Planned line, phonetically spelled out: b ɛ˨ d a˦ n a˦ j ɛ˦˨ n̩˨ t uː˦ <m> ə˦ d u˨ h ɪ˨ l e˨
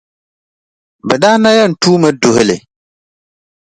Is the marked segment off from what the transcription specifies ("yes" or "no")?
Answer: no